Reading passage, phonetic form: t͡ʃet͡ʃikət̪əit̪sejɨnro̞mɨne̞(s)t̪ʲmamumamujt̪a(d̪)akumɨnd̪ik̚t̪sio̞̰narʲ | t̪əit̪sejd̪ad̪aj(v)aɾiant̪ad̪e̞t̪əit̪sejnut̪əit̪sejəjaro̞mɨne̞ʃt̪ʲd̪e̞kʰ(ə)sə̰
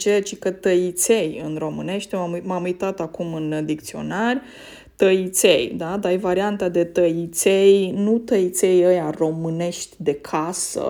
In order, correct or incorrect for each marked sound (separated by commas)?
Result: incorrect, incorrect, correct, incorrect